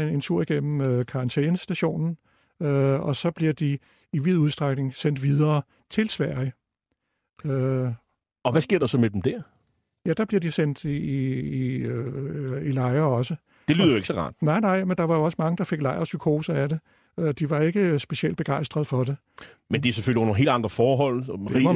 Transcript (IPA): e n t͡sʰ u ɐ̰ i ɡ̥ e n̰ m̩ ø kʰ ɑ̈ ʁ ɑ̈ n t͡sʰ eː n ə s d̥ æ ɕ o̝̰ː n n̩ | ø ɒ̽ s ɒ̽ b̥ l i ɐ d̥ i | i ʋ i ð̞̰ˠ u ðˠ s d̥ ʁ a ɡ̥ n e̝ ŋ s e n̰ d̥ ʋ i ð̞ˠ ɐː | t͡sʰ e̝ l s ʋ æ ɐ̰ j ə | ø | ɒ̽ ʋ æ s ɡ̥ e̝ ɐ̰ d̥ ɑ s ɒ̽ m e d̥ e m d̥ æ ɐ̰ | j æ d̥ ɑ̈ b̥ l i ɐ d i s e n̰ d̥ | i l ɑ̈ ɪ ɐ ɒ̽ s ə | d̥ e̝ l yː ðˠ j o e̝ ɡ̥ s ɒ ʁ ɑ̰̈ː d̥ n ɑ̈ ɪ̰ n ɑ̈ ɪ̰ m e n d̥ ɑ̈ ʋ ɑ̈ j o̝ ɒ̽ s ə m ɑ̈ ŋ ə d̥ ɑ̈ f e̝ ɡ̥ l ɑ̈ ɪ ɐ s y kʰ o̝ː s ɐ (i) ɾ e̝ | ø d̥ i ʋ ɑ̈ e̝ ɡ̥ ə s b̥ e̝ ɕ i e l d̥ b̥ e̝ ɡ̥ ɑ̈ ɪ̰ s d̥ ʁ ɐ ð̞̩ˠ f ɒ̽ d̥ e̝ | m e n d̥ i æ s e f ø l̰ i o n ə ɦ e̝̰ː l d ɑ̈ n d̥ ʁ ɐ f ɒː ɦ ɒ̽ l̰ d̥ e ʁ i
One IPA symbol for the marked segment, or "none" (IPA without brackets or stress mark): æ